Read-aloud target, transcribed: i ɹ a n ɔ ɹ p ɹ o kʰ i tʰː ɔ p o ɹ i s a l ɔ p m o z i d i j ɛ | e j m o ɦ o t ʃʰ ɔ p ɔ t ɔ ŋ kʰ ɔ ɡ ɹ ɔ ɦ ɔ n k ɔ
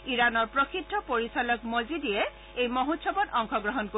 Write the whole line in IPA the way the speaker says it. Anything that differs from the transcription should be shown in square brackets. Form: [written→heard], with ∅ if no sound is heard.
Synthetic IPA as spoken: i ɹ a n ɔ ɹ p ɹ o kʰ i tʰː ɔ p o ɹ i s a l ɔ [p→k] m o z i d i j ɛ | e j m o ɦ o t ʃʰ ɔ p ɔ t ɔ ŋ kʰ ɔ ɡ ɹ ɔ ɦ ɔ n k [ɔ→o]